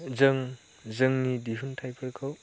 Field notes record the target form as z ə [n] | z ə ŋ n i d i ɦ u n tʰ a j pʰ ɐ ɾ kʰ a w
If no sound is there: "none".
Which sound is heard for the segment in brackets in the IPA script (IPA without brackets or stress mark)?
ŋ